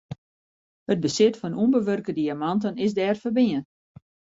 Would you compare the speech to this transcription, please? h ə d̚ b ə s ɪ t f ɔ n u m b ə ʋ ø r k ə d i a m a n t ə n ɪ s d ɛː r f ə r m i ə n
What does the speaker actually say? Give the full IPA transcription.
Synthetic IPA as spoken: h ə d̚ b ə s ɪ t f ɔ n u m b ə ʋ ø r k ə d i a m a n t ə n ɪ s d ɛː r f ə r b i ə n